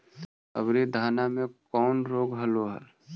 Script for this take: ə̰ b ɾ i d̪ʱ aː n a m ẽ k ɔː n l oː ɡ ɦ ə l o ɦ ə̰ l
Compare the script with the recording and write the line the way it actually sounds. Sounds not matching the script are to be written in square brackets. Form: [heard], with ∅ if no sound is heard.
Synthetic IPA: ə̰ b ɾ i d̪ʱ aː n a m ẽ k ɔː n [ɾ] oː ɡ ɦ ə l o ɦ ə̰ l